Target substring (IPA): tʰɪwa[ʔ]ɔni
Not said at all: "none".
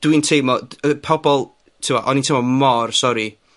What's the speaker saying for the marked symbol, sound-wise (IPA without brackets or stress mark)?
ʔ